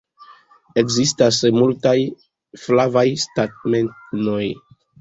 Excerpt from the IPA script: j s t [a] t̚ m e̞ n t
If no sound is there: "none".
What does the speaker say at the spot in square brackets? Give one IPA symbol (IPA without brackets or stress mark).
a